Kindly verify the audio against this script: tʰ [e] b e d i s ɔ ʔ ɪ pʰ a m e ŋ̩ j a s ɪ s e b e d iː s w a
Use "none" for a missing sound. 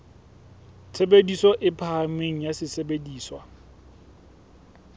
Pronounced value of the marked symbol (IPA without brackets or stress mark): e